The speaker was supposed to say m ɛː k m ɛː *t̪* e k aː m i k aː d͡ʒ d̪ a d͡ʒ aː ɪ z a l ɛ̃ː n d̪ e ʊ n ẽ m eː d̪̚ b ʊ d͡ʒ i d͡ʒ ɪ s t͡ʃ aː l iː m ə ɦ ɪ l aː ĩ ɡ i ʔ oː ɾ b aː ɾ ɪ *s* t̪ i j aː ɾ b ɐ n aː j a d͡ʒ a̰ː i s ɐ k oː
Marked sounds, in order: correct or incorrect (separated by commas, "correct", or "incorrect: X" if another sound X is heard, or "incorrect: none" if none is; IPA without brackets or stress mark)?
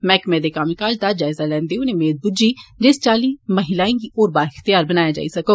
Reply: incorrect: d̪, incorrect: x